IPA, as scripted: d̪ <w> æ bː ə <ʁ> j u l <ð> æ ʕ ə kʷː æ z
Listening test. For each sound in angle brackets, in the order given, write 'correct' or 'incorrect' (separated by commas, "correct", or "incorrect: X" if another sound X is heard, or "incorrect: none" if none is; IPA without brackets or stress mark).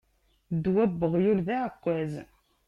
correct, correct, correct